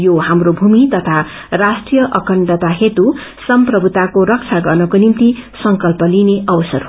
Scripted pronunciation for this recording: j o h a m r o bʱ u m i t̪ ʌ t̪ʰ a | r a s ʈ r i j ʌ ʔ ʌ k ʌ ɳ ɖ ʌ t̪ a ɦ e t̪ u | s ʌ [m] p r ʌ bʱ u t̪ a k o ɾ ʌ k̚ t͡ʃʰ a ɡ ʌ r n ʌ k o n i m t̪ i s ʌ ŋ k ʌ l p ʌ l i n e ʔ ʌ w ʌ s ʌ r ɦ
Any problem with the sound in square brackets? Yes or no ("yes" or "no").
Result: no